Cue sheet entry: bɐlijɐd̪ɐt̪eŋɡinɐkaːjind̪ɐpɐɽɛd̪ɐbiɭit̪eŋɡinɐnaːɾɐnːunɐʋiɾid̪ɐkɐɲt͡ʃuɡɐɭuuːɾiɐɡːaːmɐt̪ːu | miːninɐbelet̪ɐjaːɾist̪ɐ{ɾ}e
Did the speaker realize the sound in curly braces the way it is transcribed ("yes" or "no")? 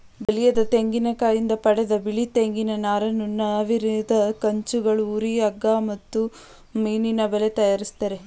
yes